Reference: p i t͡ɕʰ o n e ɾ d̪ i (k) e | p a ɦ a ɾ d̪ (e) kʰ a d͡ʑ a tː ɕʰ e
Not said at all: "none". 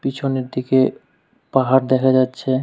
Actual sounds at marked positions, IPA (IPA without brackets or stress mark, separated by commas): k, ɛ